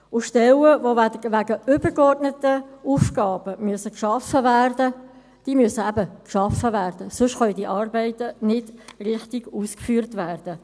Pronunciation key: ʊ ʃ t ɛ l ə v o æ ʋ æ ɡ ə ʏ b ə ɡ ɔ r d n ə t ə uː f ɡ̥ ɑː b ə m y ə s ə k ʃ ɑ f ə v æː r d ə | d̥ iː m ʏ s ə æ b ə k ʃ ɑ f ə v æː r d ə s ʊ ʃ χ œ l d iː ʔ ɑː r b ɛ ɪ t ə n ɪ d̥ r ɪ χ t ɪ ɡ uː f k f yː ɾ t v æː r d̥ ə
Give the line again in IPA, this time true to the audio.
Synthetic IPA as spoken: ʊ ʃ t ɛ l ə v o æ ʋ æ ɡ ə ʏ b ə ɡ ɔ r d n ə t ə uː f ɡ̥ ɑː b ə m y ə s ə k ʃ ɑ f ə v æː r d ə | d̥ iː m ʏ s ə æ b ə k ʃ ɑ f ə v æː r d ə s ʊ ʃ χ œ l d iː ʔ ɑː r b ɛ ɪ t ə n ɪ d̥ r ɪ χ t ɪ ɡ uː s k f yː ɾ t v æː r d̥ ə